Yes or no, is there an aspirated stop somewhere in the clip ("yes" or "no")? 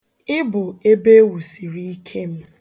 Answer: yes